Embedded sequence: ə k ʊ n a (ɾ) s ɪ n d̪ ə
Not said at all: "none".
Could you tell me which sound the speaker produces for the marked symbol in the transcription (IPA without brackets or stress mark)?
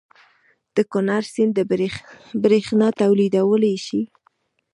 ɾ